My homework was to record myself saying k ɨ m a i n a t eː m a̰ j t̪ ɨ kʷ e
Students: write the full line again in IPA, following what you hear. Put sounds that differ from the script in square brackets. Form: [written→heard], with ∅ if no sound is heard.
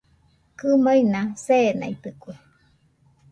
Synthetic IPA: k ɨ m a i n a [t→s] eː [m→n] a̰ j t̪ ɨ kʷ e